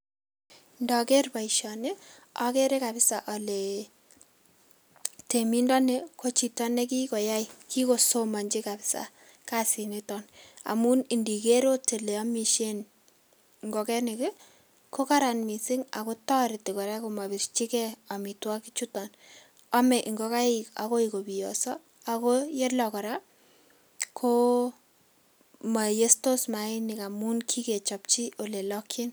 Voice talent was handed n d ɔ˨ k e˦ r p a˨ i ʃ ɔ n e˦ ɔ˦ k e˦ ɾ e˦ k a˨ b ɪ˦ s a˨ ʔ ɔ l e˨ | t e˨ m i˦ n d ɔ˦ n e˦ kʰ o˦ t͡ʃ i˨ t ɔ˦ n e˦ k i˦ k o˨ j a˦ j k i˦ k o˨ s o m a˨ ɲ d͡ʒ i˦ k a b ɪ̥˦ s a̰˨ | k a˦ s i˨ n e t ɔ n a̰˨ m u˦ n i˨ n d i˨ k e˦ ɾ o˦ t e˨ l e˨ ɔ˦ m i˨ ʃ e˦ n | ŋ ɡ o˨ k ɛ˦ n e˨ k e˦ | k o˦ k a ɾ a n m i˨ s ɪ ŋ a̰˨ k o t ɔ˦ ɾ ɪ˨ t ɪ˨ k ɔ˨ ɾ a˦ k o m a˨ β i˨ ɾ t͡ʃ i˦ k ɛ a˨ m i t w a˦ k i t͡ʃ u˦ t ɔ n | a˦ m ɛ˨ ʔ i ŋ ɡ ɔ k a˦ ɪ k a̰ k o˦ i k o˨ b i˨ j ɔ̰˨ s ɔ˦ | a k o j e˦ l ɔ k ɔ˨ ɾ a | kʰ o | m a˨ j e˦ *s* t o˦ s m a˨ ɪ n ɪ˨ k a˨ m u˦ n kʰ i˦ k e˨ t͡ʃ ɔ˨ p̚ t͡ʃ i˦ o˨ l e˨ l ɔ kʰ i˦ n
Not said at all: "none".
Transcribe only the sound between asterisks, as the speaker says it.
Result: s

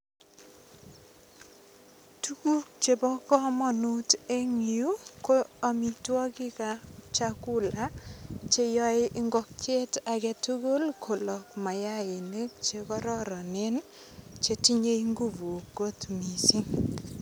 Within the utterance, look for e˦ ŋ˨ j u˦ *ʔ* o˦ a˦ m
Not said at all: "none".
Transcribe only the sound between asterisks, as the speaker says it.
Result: k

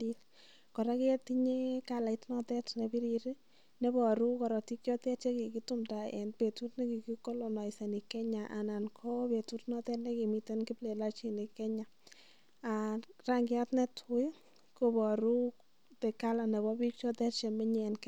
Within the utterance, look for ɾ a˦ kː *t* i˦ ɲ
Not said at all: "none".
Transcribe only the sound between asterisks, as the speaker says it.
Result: t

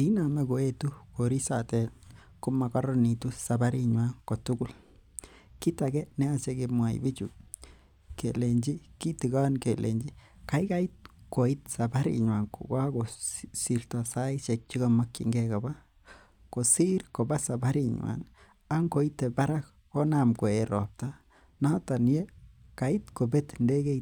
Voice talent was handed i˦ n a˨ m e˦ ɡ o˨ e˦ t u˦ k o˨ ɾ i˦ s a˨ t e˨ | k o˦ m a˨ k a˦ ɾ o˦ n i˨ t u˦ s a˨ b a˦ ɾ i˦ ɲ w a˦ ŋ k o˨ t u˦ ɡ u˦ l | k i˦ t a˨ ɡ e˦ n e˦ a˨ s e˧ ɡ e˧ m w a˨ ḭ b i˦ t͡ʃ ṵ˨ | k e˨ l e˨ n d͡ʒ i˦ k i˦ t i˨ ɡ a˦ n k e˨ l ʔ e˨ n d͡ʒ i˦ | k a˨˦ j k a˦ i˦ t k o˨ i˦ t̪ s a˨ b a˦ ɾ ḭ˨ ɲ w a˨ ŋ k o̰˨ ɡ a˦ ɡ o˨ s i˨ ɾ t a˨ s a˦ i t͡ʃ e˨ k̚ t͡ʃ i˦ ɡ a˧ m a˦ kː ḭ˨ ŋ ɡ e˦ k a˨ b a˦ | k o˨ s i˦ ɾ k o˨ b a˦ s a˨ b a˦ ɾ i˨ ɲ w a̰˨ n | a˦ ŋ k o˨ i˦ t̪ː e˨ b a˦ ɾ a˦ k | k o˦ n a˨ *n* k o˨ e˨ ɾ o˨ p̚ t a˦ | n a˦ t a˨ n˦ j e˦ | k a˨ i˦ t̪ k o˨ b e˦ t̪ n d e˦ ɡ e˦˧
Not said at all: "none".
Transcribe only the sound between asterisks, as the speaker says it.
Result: m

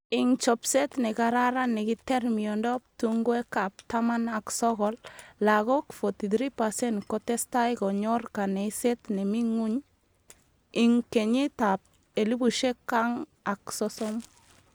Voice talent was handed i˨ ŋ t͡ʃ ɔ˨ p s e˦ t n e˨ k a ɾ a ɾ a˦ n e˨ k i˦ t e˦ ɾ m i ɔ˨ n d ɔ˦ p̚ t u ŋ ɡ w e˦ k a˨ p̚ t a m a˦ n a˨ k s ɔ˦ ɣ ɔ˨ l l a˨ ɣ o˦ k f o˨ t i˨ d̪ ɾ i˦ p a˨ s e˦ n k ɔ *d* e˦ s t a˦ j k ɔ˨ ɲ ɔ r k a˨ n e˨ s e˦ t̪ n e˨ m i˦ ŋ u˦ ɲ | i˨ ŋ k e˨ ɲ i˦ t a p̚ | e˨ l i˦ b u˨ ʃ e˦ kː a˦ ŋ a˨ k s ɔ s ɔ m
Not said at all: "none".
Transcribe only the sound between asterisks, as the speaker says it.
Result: t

